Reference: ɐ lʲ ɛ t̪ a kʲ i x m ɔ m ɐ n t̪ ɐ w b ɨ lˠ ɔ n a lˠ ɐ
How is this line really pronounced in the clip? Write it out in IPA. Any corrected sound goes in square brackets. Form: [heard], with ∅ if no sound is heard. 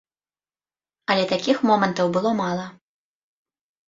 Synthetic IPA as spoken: ɐ lʲ ɛ t̪ a kʲ i x m ɔ m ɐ n t̪ ɐ w b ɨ lˠ ɔ [m] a lˠ ɐ